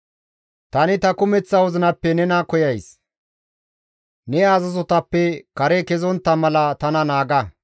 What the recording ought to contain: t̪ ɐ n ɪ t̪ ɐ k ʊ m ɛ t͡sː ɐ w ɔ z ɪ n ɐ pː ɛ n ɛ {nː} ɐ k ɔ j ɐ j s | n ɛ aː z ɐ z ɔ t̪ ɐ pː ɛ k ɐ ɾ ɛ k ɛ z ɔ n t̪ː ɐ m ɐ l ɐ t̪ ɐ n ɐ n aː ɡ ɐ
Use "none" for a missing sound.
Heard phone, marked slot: n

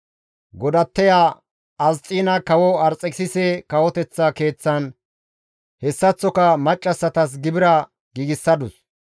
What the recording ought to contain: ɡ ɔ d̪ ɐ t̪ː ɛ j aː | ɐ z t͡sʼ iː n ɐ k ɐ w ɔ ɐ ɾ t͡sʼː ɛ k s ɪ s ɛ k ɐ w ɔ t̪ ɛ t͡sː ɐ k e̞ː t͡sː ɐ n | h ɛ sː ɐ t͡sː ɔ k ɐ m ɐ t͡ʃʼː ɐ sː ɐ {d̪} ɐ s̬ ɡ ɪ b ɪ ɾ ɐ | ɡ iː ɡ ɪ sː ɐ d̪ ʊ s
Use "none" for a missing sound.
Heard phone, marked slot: t̪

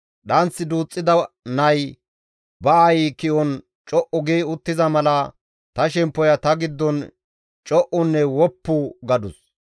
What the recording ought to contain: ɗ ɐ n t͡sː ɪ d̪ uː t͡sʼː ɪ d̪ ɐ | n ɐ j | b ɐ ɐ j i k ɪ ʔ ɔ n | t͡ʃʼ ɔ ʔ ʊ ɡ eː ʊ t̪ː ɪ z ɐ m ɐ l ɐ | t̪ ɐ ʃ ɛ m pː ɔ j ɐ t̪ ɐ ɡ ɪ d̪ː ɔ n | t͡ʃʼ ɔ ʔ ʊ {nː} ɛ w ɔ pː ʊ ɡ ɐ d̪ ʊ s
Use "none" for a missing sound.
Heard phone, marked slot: nː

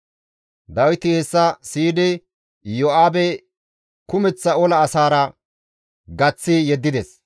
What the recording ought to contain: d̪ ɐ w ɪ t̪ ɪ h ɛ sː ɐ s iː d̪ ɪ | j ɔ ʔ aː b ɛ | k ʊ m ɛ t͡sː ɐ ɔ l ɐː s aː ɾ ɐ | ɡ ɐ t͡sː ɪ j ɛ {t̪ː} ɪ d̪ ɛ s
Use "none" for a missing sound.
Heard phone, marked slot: d̪ː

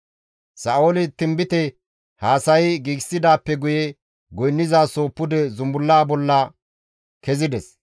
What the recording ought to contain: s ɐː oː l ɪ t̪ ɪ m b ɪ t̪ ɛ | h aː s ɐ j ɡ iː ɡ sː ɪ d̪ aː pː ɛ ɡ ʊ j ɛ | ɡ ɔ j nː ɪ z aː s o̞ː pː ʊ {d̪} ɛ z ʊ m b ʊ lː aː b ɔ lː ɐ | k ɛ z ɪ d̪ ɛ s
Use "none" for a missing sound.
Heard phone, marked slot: d̪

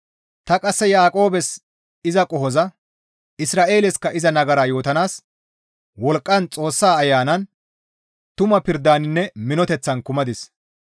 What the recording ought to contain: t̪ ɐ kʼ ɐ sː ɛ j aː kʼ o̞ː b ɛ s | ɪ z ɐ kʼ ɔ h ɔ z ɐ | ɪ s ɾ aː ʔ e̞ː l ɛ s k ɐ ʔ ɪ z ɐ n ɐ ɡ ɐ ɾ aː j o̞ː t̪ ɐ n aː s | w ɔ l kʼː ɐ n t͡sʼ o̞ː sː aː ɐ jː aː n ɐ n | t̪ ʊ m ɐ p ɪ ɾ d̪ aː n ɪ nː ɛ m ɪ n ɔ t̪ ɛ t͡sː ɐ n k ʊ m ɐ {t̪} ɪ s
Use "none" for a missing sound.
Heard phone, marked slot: d̪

